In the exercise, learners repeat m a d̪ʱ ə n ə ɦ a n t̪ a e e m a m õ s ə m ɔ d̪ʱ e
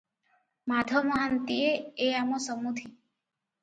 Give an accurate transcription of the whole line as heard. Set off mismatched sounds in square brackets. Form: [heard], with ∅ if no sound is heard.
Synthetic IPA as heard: m a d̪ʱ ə [m] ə ɦ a n t̪ [i] e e [∅] a m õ s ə m [u] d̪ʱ [i]